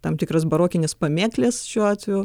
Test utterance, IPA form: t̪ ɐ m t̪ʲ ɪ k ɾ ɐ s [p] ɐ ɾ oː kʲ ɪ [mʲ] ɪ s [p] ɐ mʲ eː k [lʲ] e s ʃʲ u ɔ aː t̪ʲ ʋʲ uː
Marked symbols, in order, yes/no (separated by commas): no, no, yes, yes